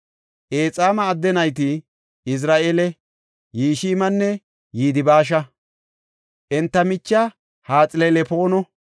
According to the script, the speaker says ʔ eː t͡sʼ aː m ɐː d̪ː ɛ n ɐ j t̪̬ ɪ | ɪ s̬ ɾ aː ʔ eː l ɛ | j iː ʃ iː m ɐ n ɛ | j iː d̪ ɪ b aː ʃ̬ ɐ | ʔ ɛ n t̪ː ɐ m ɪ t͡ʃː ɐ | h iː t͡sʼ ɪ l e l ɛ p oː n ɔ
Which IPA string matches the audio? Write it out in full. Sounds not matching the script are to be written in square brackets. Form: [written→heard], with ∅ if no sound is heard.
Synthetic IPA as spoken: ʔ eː t͡sʼ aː m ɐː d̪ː ɛ n ɐ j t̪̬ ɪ | ɪ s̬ ɾ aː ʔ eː l ɛ | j iː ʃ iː m ɐ [n→nː] ɛ | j iː d̪ ɪ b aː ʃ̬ ɐ | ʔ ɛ n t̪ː ɐ m ɪ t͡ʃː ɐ | h [iː→aː] t͡sʼ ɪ l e l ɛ p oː n ɔ